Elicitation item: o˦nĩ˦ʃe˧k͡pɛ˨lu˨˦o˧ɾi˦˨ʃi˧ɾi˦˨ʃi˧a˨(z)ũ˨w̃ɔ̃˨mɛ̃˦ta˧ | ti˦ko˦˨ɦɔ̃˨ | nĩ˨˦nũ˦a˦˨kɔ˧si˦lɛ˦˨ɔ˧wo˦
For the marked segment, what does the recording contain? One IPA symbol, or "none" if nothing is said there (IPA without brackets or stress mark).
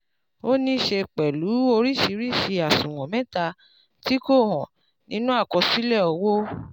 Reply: s